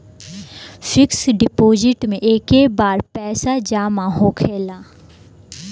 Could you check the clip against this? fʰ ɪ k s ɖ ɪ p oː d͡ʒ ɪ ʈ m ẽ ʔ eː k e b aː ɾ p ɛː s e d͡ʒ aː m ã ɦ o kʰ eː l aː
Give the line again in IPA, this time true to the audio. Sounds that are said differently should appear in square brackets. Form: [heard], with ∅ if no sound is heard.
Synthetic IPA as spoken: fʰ ɪ k s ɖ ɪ p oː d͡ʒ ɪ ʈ m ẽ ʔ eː k e b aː ɾ p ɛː s [a] d͡ʒ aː m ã ɦ o kʰ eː l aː